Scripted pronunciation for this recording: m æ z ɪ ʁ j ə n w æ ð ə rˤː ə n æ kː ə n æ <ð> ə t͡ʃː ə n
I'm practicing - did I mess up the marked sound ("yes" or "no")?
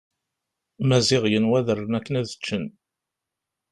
no